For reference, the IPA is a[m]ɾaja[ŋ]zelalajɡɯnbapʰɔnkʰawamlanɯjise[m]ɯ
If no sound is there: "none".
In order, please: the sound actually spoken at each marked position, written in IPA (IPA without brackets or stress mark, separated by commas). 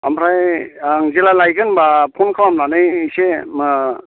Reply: m, ŋ, m